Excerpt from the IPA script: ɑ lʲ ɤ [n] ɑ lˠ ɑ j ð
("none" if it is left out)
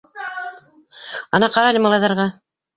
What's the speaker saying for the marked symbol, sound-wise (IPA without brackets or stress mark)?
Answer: m